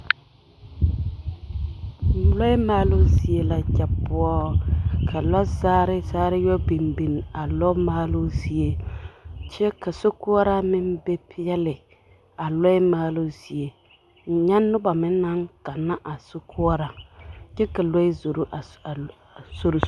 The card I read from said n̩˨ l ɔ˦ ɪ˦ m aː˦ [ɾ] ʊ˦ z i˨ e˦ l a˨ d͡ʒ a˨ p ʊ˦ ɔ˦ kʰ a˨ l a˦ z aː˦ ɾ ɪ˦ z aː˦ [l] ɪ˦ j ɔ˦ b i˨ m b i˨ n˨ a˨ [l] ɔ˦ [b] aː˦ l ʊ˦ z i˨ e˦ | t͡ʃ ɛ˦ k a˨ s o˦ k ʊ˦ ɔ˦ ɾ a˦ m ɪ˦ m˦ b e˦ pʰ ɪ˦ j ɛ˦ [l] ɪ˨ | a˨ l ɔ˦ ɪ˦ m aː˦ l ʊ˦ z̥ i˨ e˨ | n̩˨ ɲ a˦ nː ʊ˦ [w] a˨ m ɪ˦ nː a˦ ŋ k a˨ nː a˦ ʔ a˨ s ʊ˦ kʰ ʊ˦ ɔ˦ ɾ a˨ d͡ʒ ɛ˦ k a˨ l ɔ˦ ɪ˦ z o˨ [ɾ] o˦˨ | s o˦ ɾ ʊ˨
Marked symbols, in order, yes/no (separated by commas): no, no, yes, no, yes, no, yes